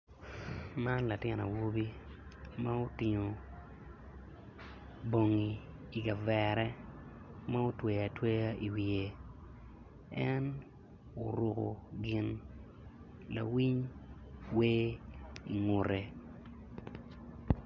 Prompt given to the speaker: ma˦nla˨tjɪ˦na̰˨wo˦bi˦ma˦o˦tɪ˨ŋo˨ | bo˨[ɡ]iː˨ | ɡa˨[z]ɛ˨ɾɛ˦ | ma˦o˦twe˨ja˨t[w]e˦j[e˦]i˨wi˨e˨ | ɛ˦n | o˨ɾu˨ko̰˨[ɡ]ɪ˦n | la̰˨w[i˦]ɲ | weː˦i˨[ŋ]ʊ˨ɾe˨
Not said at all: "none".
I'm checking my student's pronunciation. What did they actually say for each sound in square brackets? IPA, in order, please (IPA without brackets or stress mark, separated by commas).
ŋ, v, w, a˦, ɡ, i˦, ŋ